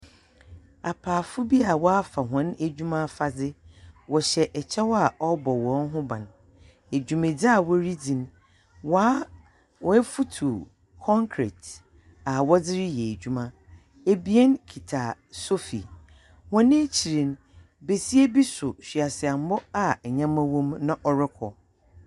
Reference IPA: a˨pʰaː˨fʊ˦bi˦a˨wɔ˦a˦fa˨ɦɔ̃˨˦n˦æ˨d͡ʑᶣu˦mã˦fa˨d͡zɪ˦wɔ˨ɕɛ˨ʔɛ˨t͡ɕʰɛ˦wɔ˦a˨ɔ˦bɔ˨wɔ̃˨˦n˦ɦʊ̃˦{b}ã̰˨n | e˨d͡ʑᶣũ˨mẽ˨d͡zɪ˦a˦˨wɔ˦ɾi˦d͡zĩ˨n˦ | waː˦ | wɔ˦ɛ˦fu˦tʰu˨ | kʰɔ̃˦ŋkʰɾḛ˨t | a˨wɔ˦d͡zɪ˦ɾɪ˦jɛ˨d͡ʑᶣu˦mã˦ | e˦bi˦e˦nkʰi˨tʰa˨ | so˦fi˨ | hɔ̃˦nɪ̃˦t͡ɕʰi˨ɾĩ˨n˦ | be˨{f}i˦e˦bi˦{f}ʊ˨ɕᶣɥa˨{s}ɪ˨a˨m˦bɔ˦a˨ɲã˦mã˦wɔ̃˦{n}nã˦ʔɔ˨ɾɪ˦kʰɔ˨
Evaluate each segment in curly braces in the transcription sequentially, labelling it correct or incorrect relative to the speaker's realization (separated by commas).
correct, incorrect, incorrect, correct, incorrect